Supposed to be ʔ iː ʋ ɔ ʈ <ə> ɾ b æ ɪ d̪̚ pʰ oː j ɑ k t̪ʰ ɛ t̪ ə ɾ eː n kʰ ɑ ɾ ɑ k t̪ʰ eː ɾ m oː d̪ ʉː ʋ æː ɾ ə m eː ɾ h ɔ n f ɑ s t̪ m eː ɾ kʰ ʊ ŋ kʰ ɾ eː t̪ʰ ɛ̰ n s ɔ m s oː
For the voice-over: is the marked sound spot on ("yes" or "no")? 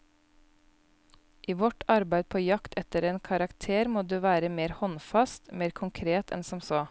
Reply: no